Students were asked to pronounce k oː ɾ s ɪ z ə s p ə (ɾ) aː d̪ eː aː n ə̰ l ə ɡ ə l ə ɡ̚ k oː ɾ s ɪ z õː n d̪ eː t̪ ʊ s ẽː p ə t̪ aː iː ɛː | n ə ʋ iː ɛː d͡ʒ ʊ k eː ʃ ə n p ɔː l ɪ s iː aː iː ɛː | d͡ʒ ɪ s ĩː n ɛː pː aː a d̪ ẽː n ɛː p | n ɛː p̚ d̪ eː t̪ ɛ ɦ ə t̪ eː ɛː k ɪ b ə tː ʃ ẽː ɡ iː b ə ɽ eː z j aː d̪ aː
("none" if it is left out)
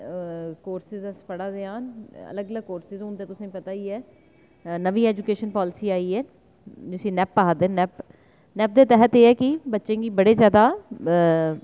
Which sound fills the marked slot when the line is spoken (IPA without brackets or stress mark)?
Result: ɽ